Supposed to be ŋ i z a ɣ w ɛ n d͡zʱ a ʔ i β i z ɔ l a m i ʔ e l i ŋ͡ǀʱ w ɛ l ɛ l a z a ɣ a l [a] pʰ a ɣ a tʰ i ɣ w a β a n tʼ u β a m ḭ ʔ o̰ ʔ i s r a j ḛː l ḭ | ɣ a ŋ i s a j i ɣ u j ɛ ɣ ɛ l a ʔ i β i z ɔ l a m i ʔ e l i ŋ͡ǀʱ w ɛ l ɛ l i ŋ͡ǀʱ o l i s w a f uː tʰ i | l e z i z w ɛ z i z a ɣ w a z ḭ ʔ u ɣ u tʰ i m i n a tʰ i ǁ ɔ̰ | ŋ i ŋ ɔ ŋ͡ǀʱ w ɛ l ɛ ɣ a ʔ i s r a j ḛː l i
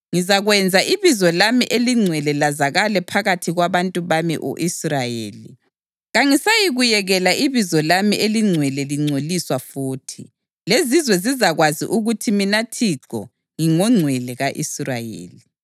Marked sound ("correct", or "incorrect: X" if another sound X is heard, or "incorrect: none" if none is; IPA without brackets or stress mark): incorrect: ɛ